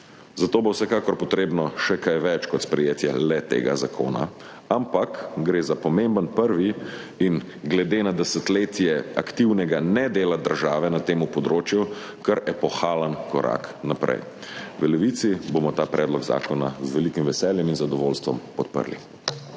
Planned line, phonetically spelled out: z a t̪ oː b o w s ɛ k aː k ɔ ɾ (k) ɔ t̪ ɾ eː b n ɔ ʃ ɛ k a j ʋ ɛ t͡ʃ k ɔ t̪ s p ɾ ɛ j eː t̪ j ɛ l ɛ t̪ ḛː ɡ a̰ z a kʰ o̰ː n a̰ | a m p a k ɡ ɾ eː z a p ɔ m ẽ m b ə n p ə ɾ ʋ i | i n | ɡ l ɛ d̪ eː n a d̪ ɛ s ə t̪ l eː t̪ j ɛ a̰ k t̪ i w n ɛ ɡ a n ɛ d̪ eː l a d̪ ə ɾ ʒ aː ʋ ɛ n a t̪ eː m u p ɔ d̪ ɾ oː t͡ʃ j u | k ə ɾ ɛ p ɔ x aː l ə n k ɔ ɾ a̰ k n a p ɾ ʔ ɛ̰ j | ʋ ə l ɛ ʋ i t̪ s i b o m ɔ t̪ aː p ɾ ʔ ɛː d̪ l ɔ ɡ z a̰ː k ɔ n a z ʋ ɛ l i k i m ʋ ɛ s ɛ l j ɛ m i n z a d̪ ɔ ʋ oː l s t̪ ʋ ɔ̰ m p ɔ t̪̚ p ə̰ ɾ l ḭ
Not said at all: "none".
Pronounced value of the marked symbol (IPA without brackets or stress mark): p